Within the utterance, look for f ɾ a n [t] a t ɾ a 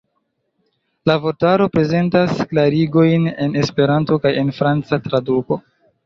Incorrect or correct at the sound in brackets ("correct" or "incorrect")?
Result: incorrect